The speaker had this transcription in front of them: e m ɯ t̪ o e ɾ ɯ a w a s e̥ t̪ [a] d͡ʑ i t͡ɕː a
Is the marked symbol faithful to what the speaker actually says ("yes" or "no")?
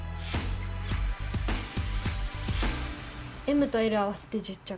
no